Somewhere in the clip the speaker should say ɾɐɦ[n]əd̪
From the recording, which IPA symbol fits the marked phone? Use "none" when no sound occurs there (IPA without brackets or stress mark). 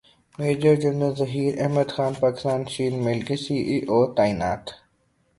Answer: m